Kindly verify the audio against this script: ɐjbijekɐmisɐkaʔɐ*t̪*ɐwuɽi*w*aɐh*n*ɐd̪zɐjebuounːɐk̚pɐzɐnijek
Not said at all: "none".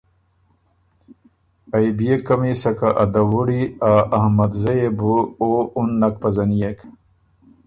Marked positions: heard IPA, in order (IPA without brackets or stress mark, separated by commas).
d̪, none, m